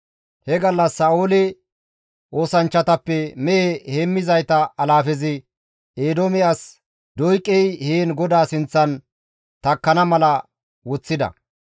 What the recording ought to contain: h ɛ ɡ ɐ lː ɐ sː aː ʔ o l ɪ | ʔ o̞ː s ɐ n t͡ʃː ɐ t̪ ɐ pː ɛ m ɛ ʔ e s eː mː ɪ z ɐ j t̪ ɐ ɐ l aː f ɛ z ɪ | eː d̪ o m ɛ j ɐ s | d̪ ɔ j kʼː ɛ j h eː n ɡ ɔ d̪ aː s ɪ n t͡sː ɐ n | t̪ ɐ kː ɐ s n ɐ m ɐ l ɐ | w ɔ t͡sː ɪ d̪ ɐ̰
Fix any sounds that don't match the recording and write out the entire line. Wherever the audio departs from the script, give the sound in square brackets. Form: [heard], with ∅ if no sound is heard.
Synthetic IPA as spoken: h ɛ ɡ ɐ lː ɐ sː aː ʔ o l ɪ | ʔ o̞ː s ɐ n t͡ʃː ɐ t̪ ɐ pː ɛ m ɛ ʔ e [h] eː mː ɪ z ɐ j t̪ ɐ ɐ l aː f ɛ z ɪ | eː d̪ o m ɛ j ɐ s | d̪ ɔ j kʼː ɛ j h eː n ɡ ɔ d̪ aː s ɪ n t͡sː ɐ n | t̪ ɐ kː ɐ [∅] n ɐ m ɐ l ɐ | w ɔ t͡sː ɪ d̪ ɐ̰